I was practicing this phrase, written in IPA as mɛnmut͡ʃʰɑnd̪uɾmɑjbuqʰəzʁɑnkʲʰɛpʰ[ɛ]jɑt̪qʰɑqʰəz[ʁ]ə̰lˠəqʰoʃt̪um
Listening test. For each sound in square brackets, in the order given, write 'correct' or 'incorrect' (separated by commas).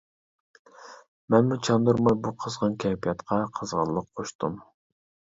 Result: incorrect, correct